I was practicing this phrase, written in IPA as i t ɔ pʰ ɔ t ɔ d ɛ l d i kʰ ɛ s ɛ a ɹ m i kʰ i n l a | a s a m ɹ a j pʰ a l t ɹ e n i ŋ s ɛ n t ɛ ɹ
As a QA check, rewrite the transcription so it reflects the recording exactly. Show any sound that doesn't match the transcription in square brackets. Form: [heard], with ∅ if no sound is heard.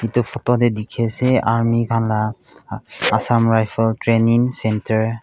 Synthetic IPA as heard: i t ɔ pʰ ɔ t ɔ d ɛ [∅] d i kʰ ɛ s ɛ a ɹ m i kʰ [a] n l a | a s a m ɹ a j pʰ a l t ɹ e n i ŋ s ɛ n t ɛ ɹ